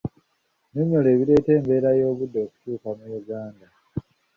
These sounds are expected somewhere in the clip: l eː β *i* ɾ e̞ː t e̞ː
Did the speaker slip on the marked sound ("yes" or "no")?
no